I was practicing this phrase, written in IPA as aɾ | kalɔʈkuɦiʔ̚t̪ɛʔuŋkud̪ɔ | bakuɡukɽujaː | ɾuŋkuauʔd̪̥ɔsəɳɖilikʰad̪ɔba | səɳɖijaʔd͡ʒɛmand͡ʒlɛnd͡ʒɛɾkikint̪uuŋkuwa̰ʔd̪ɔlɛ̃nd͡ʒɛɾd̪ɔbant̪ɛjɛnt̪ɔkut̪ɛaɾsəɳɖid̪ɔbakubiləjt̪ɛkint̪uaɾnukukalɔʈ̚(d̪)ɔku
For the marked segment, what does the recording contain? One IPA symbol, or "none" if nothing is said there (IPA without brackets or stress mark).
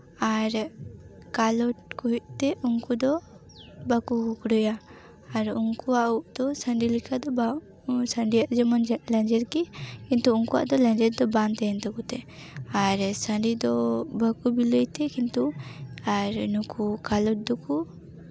d̪